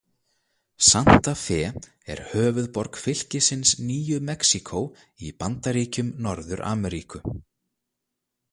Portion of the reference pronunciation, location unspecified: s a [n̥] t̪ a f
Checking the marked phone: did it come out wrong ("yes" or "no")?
no